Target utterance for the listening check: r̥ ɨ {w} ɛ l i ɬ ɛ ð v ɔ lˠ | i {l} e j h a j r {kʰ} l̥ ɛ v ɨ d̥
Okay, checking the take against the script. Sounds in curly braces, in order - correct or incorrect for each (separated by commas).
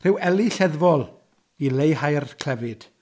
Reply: correct, correct, correct